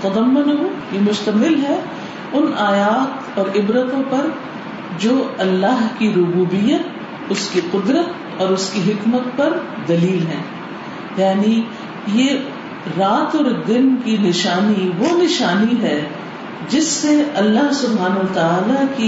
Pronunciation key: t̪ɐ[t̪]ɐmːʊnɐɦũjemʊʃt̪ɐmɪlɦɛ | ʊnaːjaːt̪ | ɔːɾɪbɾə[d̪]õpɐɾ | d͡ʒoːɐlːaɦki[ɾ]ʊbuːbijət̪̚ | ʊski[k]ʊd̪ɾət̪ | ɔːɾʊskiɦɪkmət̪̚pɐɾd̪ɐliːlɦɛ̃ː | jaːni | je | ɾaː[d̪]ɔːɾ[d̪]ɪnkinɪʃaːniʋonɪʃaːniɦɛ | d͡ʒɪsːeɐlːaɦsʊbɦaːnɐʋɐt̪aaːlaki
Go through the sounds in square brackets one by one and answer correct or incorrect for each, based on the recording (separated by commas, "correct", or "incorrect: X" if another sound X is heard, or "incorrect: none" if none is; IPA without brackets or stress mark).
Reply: incorrect: d̪, incorrect: t̪, correct, incorrect: q, incorrect: t̪, correct